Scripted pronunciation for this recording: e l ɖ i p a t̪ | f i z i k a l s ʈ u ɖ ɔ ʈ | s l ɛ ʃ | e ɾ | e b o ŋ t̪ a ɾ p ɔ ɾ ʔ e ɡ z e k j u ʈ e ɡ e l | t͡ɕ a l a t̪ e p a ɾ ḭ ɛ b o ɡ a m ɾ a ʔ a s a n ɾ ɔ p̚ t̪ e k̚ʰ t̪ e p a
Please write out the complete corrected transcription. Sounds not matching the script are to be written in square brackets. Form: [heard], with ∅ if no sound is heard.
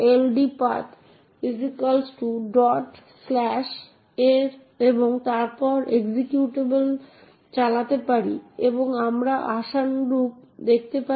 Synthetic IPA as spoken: e l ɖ i p a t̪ | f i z i k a l s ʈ u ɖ ɔ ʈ | s l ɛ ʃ | e ɾ | e b o ŋ t̪ a ɾ p ɔ ɾ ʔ e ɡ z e k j u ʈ e [b] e l | t͡ɕ a l a t̪ e p a ɾ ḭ [e] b o [ŋ] a m ɾ a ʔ a [ʃ] a n ɾ [u] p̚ [d̪] e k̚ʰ t̪ e p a

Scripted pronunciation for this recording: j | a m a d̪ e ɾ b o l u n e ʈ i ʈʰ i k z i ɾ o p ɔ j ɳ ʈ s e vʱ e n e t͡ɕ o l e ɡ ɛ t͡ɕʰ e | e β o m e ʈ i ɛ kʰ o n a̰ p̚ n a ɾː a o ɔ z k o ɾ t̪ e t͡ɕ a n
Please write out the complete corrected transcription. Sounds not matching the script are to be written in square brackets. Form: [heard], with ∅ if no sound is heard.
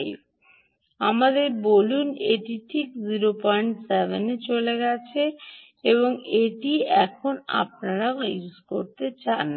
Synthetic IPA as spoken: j | a m a d̪ e ɾ b o l u n e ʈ i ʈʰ i k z i ɾ o p ɔ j ɳ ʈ s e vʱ e n e t͡ɕ o l e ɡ ɛ t͡ɕʰ e | e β o [ŋ] e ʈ i ɛ kʰ o n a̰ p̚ n a [ɾ] a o [u] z k o ɾ t̪ e t͡ɕ a n

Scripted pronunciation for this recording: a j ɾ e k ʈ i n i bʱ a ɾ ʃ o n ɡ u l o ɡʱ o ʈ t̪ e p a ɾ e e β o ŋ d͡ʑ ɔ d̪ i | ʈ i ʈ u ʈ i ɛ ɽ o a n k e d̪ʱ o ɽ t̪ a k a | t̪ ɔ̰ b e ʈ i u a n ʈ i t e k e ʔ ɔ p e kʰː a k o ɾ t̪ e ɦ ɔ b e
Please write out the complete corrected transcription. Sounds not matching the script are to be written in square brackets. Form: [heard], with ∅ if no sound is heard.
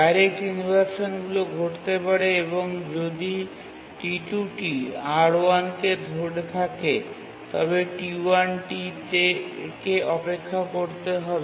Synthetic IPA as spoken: a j ɾ e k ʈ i n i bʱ a ɾ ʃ o n ɡ u l o ɡʱ o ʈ t̪ e p a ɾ e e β o ŋ d͡ʑ [o] d̪ i | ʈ i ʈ u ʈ i [a] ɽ o a n k e d̪ʱ o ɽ [t̪ʰ] a k [e] | t̪ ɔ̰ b e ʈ i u a n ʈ i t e k e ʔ ɔ p e kʰː a k o ɾ t̪ e ɦ ɔ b e

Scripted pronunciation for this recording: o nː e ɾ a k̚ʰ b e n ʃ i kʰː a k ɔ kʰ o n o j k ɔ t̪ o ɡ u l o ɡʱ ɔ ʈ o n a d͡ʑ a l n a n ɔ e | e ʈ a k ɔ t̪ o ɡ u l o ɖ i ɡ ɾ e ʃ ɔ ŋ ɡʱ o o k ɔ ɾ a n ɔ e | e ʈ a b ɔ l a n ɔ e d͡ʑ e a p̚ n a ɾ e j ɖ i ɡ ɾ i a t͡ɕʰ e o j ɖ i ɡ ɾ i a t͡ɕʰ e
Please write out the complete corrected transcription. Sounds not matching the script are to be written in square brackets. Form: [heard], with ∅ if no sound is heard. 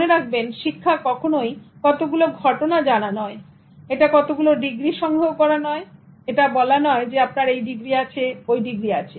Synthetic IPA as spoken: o [n] e ɾ a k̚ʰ b e n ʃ i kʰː a k ɔ kʰ o n o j k ɔ t̪ o ɡ u l o ɡʱ ɔ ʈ o n a d͡ʑ a [∅] n a n ɔ e | e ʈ a k ɔ t̪ o ɡ u l o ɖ i ɡ ɾ [i] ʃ ɔ ŋ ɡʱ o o k ɔ ɾ a n ɔ e | e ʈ a b ɔ l a n ɔ e d͡ʑ e a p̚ n a ɾ e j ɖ i ɡ ɾ i a t͡ɕʰ e o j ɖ i ɡ ɾ i a t͡ɕʰ e

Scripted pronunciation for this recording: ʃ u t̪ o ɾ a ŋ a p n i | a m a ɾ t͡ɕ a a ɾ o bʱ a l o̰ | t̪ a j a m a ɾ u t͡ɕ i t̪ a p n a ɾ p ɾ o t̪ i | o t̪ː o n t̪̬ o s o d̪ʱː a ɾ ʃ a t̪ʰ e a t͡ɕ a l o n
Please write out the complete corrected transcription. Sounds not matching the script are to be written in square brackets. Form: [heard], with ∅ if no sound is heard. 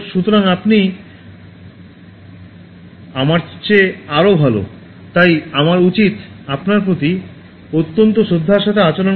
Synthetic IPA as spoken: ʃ u t̪ o ɾ a ŋ a p n i | a m a ɾ t͡ɕ [e] a ɾ o bʱ a l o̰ | t̪ a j a m a ɾ u t͡ɕ i t̪ a p n a ɾ p ɾ o t̪ i | o t̪ː o n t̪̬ o [ʃ] o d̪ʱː a ɾ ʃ a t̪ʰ e a t͡ɕ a l o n

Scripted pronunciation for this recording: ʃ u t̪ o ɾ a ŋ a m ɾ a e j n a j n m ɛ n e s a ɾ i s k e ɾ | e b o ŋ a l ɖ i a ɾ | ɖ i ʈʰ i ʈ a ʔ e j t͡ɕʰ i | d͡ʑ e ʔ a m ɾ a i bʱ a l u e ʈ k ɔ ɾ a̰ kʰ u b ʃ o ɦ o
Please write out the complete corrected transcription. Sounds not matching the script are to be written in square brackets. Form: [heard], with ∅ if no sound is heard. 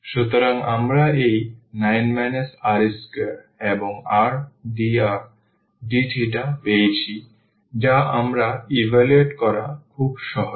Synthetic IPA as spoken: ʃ u t̪ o ɾ a ŋ a m ɾ a e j n a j n m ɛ n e s a ɾ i s k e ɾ | e b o ŋ a [ɾ] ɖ i a ɾ | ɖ i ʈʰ i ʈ a [p] e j t͡ɕʰ i | d͡ʑ [a] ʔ a m ɾ a i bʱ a l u e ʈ k ɔ ɾ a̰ kʰ u b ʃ [ɔ] ɦ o

